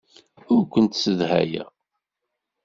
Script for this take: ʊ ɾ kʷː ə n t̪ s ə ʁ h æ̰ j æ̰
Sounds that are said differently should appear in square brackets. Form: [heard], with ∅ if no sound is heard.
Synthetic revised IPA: ʊ ɾ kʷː ə n t̪ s ə [ð] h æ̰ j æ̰